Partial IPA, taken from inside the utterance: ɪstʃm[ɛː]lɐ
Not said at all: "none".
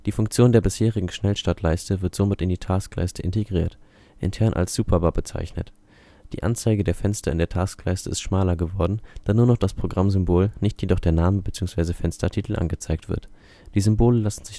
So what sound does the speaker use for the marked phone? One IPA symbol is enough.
aː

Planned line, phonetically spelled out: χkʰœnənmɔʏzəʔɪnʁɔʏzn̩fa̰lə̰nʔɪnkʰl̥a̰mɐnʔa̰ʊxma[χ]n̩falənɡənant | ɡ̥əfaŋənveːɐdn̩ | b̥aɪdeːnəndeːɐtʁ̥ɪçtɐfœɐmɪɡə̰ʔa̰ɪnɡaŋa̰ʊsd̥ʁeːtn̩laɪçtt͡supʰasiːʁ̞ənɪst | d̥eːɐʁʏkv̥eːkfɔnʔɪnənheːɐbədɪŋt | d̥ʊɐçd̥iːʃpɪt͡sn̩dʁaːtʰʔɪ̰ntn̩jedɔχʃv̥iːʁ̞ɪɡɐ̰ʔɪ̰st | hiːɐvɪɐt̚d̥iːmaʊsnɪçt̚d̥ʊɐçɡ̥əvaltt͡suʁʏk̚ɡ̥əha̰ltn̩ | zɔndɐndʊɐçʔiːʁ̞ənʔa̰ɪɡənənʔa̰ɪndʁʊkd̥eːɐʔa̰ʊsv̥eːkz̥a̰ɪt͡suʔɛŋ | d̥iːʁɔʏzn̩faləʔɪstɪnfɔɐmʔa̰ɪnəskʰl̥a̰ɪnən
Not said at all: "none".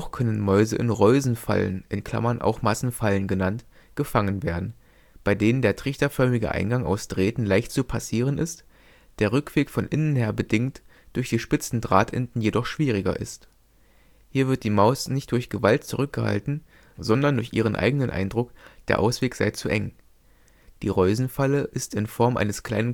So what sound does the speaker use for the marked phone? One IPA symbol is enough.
s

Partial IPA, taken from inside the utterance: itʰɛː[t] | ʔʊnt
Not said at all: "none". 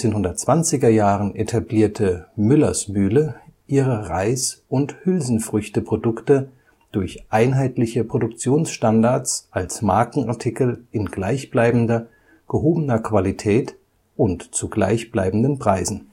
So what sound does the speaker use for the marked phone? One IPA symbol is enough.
t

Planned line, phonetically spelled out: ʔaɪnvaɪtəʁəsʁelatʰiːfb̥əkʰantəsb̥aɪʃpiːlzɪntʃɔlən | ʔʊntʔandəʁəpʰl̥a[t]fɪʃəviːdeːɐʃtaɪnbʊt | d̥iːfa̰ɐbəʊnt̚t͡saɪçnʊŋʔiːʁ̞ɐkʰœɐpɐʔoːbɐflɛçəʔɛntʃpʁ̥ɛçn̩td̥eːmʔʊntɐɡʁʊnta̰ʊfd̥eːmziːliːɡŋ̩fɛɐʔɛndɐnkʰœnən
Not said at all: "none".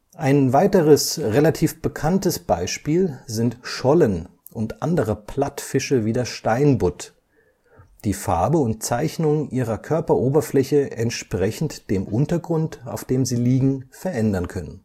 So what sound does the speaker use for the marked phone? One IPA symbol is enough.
t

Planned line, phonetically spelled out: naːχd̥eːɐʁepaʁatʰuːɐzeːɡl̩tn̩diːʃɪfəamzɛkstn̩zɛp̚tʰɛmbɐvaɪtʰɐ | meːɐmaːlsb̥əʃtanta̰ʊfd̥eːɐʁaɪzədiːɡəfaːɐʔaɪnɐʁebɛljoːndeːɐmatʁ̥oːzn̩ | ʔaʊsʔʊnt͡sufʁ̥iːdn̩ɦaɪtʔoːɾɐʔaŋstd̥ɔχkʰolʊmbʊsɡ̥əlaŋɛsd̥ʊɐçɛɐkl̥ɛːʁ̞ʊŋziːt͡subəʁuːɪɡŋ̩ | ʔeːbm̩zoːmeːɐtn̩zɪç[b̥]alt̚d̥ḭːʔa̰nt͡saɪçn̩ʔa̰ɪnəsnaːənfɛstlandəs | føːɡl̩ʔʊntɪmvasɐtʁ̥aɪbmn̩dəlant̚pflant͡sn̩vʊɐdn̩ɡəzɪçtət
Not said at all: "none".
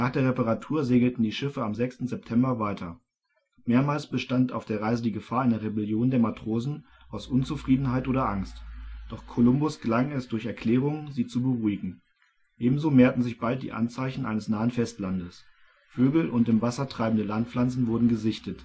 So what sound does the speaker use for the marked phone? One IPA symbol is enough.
b̥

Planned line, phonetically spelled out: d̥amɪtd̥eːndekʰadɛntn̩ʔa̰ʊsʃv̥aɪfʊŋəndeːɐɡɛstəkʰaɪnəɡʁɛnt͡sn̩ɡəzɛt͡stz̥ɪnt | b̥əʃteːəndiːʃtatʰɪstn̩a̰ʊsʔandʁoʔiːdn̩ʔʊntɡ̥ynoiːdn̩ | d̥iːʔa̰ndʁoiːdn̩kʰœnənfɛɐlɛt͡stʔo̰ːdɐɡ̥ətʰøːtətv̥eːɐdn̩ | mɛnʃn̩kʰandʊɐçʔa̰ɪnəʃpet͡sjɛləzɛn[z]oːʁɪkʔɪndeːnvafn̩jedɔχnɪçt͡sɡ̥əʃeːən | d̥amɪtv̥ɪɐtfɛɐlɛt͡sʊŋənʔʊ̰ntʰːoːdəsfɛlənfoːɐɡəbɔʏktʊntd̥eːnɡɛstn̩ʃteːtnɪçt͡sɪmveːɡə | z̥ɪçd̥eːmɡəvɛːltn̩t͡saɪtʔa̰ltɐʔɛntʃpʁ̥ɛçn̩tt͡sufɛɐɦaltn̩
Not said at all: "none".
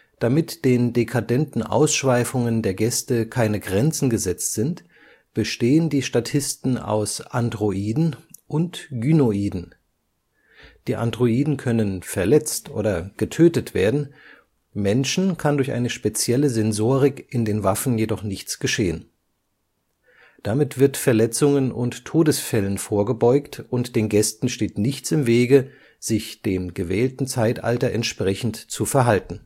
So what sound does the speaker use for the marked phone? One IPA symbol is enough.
z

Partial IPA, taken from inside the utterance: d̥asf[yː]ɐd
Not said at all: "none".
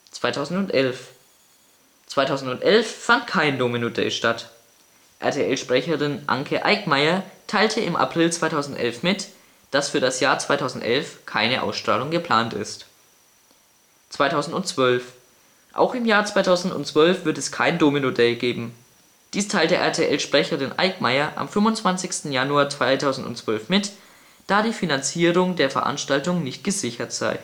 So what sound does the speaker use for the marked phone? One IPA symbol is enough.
yː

